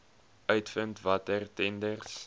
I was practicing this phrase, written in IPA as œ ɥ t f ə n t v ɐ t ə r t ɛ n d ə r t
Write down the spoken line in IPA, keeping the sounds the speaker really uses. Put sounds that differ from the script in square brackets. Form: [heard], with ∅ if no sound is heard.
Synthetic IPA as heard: œ ɥ t f ə n t v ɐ t ə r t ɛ n d ə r [s]